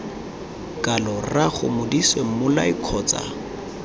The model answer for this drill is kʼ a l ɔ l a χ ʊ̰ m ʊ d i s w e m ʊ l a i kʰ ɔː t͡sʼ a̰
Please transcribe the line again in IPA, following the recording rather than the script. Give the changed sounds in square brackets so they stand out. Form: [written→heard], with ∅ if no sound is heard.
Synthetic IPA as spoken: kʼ a l ɔ [l→r] a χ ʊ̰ m ʊ d i s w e m ʊ l a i kʰ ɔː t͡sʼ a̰